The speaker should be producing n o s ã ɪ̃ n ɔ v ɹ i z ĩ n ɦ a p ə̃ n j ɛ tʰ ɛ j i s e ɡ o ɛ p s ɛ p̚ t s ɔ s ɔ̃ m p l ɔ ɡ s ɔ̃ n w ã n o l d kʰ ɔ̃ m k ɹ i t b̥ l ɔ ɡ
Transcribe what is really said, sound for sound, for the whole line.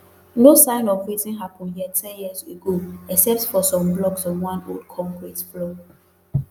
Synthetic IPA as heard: n o s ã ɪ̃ n ɔ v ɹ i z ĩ n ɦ a p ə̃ n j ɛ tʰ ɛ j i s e ɡ o ɛ k s ɛ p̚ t f ɔ s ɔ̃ m b l ɔ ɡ s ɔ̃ n w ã n o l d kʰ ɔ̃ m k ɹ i t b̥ l ɔ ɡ